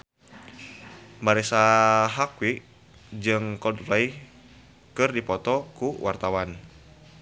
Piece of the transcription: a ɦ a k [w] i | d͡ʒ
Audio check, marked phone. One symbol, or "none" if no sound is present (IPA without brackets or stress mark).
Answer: w